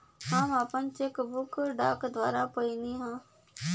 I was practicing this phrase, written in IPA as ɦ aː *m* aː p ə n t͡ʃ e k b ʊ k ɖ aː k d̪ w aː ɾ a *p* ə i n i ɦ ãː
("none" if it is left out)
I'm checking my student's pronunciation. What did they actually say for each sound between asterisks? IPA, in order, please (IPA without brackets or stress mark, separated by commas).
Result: m, p